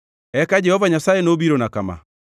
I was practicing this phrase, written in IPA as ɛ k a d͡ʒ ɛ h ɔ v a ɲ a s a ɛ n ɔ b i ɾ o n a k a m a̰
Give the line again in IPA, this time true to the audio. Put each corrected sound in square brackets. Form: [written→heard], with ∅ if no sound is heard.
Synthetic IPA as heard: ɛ k a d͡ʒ ɛ h ɔ v a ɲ a s a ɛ n [ɔ→o] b i ɾ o n a k a m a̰